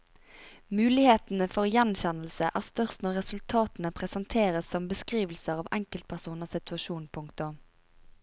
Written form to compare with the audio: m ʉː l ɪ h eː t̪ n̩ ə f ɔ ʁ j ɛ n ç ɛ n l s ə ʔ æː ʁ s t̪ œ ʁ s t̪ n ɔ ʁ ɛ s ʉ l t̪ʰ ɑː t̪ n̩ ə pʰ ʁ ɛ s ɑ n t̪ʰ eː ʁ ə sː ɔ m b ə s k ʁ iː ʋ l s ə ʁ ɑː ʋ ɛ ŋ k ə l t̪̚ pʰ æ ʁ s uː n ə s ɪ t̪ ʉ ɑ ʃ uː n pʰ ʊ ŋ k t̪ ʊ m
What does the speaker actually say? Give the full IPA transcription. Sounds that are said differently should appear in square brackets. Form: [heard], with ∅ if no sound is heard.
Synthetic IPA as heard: m ʉː l ɪ h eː t̪ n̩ ə f ɔ ʁ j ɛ n ç ɛ n l s ə ʔ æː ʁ s t̪ œ ʁ s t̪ n ɔ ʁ ɛ s ʉ l t̪ʰ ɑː t̪ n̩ ə pʰ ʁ ɛ s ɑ n t̪ʰ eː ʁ ə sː ɔ m b ə s k ʁ iː ʋ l s ə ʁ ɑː ʋ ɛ ŋ k ə l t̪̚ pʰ æ ʁ s uː n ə s ɪ t̪ ʉ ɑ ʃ uː n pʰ ʊ ŋ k t̪ ʊ m